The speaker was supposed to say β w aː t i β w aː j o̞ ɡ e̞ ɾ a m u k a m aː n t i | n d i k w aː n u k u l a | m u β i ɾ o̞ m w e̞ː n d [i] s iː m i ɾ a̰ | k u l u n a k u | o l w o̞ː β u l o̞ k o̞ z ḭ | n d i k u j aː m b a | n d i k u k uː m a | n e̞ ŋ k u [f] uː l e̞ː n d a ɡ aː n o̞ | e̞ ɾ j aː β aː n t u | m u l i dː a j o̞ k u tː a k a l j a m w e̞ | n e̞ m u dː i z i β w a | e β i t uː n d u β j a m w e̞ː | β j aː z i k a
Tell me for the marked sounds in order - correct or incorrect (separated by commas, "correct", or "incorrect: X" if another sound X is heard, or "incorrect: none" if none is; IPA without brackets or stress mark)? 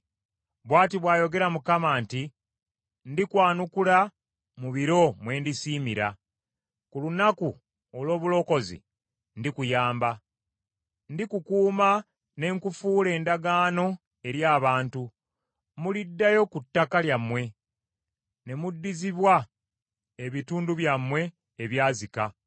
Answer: correct, correct